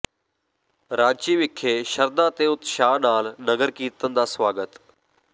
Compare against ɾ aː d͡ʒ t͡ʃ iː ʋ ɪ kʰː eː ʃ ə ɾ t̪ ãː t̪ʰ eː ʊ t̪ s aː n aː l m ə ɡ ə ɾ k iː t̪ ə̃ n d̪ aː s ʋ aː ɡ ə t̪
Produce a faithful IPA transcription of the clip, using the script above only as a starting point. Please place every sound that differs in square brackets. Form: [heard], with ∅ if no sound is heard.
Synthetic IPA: ɾ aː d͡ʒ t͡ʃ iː ʋ ɪ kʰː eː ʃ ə ɾ [d̪] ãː [t̪] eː ʊ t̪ [ʃ] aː n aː l [n] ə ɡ ə ɾ k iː t̪ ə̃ n d̪ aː s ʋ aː ɡ ə t̪